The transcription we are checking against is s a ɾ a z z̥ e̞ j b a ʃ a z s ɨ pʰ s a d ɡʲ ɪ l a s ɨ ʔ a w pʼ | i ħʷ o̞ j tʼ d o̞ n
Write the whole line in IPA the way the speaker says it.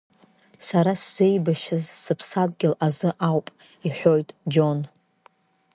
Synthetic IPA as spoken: s a ɾ a s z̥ e̞ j b a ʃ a z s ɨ pʰ s a d ɡʲ ɪ l a z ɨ ʔ a w pʼ | i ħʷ o̞ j tʼ d͡ʒ o̞ n